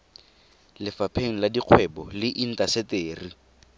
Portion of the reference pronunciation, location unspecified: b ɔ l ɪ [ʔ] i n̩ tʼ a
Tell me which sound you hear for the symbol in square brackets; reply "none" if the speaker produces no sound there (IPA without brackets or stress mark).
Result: ʔ